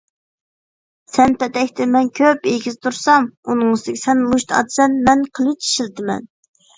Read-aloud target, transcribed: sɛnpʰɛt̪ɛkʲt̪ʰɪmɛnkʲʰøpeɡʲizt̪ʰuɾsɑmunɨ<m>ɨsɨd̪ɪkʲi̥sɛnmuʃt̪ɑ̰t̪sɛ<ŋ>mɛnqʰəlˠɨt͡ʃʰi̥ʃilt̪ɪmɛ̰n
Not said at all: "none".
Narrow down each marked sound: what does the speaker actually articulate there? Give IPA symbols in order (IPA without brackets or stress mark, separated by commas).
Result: ŋ, n